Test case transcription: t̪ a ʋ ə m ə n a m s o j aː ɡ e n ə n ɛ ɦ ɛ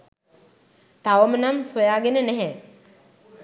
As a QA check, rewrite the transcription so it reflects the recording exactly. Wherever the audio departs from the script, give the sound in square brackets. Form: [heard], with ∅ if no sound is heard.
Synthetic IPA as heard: t̪ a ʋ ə m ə n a m s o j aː ɡ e n ə n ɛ ɦ ɛ